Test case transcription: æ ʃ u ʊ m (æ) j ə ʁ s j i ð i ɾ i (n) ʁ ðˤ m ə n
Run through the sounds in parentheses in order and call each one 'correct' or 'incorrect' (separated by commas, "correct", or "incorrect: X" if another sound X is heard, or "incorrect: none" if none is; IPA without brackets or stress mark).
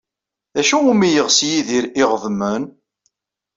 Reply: incorrect: i, incorrect: none